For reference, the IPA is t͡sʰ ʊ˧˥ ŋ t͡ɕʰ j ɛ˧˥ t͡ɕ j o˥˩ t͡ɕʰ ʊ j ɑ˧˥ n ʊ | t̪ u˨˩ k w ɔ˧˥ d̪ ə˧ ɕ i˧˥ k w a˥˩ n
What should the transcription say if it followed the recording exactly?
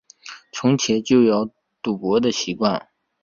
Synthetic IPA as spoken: t͡sʰ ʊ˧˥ ŋ t͡ɕʰ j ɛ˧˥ t͡ɕ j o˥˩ ʊ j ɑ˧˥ ʊ | t̪ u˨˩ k w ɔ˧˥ d̪ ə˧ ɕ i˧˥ k w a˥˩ n